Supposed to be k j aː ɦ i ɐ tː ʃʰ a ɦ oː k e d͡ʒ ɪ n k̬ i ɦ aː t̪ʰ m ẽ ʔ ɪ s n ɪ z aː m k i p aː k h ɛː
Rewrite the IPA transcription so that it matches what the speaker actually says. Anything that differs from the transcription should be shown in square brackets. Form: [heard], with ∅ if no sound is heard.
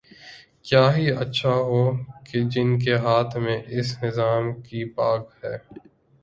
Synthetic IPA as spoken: k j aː ɦ i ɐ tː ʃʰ a ɦ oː k e d͡ʒ ɪ n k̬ [e] ɦ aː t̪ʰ m ẽ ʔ ɪ s n ɪ z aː m k i p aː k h ɛː